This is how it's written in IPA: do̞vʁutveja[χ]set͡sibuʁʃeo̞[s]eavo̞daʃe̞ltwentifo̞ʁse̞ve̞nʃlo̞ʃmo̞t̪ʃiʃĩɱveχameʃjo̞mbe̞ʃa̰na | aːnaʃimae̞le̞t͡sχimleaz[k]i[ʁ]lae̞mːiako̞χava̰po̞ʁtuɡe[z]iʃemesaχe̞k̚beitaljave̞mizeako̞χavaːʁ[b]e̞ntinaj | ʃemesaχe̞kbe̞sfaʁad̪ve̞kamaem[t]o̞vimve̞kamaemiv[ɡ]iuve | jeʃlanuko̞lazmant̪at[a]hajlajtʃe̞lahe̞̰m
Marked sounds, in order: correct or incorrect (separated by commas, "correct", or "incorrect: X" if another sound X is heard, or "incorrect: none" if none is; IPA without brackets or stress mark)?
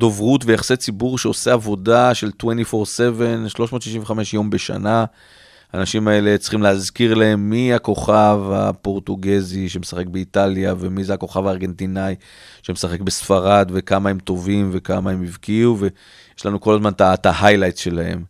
correct, correct, correct, correct, correct, incorrect: ɡ, correct, incorrect: k, correct